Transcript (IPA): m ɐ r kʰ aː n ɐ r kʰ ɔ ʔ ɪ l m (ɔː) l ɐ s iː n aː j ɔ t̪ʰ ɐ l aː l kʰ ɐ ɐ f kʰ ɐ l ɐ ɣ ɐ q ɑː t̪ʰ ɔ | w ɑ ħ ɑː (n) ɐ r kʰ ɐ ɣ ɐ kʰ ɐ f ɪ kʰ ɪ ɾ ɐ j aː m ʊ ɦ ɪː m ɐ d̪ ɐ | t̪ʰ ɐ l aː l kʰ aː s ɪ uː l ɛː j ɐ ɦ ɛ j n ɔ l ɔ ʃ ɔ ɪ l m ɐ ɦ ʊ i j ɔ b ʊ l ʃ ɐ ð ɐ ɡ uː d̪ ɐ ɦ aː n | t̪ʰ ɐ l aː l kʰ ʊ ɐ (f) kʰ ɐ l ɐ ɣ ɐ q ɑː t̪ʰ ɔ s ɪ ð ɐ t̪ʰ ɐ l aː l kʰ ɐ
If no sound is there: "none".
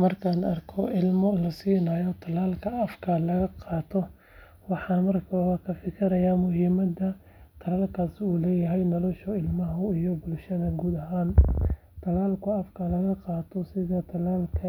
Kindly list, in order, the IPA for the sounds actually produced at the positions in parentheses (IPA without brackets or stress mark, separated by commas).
ɔ, m, f